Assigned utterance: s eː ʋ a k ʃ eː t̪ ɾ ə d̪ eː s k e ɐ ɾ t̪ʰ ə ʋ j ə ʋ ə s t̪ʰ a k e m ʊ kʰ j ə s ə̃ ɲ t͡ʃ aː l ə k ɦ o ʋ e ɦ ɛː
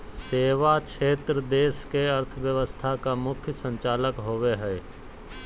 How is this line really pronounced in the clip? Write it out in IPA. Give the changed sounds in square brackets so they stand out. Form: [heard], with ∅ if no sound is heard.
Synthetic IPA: s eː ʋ a k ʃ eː t̪ ɾ ə d̪ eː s k e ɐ ɾ t̪ʰ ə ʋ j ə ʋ ə s t̪ʰ a k [a] m ʊ kʰ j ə s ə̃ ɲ t͡ʃ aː l ə k ɦ o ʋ e ɦ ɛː